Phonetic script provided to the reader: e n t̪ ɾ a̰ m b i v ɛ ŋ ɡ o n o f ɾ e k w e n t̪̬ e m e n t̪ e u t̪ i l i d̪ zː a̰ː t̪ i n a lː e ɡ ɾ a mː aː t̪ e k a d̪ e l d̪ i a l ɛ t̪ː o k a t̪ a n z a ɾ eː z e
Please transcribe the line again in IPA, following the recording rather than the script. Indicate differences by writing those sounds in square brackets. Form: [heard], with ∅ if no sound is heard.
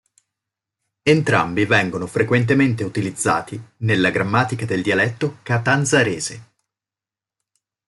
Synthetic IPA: e n t̪ ɾ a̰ m b i v ɛ ŋ ɡ o n o f ɾ e k w e n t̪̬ e m e n t̪ e u t̪ i l i d̪ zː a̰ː t̪ i n [e] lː [a] ɡ ɾ a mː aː t̪ [i] k a d̪ e l d̪ i a l ɛ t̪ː o k a t̪ a n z a ɾ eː z e